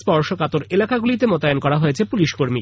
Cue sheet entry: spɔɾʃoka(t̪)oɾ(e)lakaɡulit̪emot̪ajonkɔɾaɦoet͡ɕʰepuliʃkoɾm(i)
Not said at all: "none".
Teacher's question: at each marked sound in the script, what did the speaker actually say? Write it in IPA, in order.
t̪, e, i

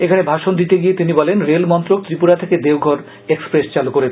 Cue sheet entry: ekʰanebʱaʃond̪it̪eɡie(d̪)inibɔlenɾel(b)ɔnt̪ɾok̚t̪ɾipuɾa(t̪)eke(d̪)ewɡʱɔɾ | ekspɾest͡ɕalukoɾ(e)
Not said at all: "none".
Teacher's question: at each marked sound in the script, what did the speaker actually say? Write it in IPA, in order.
t̪, m, t̪ʰ, d̪, e

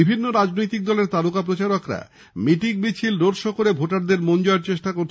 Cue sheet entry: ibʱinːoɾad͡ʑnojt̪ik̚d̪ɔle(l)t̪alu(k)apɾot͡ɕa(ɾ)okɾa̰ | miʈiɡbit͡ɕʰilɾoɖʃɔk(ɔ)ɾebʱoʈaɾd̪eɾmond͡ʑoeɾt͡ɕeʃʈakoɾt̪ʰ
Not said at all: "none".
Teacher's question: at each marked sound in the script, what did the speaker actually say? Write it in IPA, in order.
ɾ, k, ɾ, o

